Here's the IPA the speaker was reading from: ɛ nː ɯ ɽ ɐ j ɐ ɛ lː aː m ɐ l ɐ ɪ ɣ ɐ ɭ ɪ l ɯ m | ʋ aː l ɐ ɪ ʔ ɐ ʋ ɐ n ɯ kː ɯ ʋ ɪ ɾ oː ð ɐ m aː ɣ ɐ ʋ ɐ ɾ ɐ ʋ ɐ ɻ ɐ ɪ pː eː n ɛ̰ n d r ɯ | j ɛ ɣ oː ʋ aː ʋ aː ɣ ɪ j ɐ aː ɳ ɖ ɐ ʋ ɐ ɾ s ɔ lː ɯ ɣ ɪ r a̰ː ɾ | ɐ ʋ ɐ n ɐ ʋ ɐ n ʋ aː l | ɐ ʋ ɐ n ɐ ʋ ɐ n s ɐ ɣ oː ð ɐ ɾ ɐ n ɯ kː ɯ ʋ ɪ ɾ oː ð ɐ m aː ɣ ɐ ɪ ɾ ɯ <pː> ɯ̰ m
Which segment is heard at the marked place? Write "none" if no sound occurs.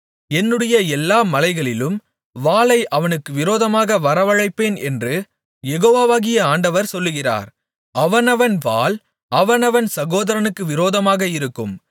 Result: kː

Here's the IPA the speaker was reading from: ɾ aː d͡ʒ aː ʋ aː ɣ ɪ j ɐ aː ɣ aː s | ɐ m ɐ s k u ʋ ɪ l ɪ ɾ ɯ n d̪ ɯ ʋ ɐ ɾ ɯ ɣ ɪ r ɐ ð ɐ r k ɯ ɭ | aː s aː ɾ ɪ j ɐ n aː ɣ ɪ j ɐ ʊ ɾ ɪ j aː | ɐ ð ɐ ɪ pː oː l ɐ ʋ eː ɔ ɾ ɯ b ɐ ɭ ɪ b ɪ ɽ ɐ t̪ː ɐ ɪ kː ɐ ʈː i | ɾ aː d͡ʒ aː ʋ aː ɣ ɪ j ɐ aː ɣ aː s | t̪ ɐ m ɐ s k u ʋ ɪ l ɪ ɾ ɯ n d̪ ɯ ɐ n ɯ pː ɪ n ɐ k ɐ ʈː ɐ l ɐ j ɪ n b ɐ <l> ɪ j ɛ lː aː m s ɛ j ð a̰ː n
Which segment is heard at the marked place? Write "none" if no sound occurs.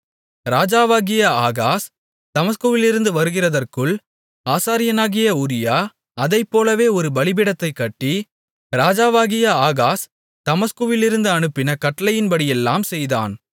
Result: ɽ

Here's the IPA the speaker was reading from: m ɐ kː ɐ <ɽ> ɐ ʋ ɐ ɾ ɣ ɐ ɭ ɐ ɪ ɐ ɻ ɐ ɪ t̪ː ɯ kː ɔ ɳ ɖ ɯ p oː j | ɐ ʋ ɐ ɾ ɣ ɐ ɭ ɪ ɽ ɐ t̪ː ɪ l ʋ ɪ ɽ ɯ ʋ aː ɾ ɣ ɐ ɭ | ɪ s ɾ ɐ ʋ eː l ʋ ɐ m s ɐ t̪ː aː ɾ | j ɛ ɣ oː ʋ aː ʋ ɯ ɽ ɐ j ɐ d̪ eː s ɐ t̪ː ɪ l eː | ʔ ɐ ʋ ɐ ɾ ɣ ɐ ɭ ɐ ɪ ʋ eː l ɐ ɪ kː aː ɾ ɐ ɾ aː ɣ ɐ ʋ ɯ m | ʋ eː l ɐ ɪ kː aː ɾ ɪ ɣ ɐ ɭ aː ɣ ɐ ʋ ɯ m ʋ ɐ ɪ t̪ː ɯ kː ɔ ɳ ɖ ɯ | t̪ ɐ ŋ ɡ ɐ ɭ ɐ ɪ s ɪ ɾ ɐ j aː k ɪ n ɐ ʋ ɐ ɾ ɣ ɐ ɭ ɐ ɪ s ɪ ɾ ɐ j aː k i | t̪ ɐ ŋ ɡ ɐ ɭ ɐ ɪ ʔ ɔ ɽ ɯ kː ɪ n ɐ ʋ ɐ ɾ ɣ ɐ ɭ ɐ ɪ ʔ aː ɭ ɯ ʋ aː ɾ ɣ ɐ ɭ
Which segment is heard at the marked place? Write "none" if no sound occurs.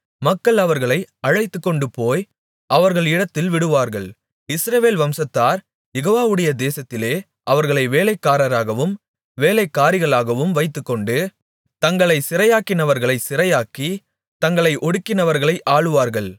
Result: ɭ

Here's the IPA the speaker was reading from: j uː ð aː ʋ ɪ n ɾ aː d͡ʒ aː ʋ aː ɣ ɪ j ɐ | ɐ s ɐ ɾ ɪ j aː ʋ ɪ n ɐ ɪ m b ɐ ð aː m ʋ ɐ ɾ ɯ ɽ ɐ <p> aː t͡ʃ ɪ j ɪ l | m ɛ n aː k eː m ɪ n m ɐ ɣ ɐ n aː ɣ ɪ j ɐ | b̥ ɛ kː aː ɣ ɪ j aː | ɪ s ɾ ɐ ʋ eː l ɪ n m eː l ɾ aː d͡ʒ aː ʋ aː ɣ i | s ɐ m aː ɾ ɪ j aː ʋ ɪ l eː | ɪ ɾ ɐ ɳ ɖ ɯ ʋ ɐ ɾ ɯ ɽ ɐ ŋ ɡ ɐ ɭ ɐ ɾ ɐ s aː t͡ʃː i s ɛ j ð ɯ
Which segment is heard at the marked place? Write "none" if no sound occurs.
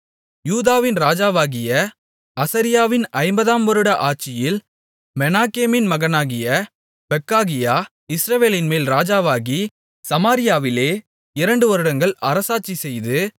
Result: ʔ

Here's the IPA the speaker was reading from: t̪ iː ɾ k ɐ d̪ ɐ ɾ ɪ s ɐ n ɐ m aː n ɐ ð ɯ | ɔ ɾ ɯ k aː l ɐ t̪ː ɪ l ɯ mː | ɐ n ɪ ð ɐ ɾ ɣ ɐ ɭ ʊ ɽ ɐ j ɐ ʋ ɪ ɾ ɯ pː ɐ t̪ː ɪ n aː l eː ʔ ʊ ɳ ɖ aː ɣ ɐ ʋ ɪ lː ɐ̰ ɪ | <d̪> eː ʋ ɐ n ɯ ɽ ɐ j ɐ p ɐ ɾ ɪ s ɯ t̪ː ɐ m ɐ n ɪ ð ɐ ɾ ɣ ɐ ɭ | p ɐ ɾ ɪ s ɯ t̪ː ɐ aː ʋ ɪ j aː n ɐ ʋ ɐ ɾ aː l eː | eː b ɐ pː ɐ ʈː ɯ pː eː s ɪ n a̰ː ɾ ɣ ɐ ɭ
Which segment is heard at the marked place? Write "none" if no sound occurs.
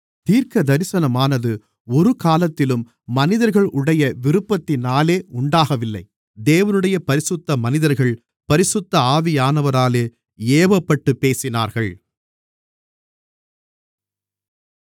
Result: d̪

